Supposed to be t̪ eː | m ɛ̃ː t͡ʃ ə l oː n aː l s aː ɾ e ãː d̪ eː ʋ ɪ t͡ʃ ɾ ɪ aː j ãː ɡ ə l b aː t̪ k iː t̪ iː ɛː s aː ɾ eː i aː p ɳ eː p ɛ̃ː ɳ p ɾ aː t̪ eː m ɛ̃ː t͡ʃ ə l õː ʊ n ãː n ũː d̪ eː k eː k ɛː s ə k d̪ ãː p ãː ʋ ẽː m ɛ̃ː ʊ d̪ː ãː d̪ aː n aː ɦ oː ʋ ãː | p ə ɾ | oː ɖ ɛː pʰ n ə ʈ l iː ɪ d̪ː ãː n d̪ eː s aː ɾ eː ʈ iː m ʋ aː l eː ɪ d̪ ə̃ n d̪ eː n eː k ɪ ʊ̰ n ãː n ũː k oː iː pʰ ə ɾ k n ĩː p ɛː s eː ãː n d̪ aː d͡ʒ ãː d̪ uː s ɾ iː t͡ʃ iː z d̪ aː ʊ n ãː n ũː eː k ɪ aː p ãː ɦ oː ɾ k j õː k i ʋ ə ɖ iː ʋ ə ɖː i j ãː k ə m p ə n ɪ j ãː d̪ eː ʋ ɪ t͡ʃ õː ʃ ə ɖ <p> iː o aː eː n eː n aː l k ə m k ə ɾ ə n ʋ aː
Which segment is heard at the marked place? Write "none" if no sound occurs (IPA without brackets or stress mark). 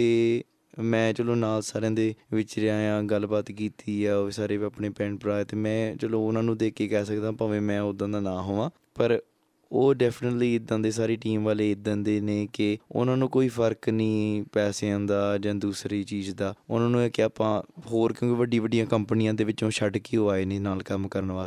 k